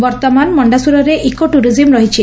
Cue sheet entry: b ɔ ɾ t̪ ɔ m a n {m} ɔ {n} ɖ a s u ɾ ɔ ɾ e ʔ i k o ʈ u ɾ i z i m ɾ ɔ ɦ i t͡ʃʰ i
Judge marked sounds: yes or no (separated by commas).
yes, no